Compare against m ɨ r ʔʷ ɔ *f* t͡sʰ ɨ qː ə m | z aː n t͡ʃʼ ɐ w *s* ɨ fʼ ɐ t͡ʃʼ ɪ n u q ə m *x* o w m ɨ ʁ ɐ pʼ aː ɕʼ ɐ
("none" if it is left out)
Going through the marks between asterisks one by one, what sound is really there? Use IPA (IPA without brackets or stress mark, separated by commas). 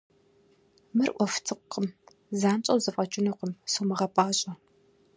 f, z, s